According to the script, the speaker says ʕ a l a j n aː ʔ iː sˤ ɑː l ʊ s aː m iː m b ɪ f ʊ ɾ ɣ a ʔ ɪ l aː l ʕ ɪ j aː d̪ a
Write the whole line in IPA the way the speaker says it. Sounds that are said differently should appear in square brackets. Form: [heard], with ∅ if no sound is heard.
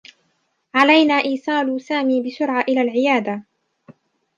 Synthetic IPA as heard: ʕ a l a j n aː ʔ iː sˤ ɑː l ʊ s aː m iː [∅] b ɪ [s] ʊ ɾ [ʕ] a ʔ ɪ l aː l ʕ ɪ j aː d̪ a